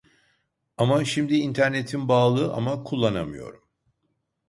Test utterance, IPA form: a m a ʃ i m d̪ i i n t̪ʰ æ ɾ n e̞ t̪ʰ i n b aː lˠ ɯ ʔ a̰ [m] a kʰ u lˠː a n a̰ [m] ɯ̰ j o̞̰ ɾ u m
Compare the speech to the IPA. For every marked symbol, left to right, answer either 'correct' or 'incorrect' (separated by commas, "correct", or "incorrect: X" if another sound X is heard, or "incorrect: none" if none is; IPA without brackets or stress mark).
correct, correct